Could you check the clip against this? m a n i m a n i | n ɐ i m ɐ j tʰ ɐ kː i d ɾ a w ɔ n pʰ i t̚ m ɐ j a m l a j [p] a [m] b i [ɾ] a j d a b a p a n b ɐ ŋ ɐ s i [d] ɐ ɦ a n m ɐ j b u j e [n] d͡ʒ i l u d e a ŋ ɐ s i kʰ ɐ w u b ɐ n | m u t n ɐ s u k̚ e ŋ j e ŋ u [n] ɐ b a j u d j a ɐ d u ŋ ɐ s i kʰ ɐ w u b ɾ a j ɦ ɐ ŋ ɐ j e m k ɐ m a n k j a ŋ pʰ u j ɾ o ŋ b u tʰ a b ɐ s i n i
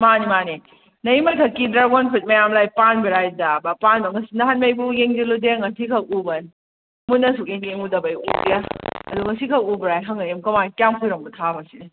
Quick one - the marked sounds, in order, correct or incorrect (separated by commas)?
correct, incorrect, correct, incorrect, incorrect, incorrect